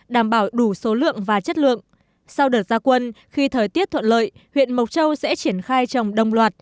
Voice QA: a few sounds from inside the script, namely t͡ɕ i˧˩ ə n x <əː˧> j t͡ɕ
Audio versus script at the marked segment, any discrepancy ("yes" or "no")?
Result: yes